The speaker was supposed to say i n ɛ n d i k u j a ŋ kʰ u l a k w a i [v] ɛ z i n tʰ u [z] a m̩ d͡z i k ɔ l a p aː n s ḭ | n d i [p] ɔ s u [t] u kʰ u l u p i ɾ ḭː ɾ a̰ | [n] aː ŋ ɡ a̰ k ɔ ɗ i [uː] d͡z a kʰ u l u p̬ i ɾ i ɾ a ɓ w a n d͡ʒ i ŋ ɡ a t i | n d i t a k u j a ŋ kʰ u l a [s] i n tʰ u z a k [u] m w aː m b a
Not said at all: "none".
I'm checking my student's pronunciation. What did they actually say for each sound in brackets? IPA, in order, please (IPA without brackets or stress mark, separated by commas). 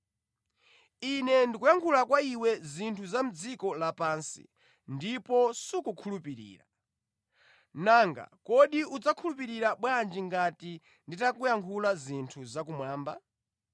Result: w, z, p, k, n, u, z, u